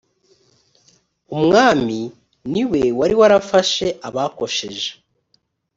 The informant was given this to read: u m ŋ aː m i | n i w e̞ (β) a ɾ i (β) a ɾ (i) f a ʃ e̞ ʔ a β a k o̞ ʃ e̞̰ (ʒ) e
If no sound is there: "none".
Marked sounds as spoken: w, w, a, ʒ

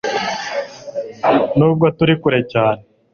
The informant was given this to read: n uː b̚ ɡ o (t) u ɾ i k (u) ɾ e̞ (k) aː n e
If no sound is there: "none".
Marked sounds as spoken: t, u, c

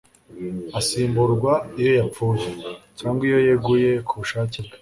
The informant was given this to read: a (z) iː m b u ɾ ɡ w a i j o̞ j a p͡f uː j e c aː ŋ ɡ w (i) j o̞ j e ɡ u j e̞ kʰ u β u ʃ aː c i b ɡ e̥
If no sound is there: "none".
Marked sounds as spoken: s, i

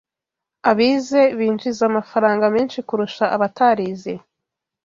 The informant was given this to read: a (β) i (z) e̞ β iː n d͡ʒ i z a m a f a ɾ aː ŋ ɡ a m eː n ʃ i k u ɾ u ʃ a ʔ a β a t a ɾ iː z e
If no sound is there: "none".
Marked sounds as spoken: β, z

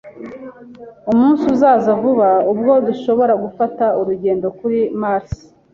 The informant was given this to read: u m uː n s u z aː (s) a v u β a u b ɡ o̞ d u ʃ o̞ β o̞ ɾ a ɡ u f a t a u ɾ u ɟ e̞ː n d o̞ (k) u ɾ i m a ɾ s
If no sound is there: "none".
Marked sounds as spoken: z, k

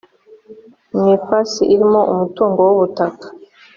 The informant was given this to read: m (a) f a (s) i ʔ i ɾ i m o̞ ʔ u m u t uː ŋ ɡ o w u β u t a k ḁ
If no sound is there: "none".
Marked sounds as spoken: i, s

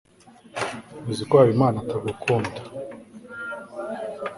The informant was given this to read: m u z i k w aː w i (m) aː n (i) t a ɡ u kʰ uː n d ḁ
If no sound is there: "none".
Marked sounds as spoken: m, a

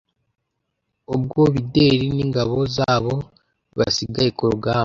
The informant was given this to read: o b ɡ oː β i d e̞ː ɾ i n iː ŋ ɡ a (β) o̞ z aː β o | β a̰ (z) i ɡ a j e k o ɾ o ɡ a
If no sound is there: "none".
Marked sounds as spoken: β, s

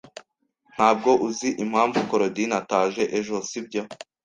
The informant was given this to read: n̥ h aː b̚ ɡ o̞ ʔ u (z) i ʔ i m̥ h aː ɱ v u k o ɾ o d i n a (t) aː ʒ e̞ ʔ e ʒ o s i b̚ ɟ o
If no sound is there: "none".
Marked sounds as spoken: z, t

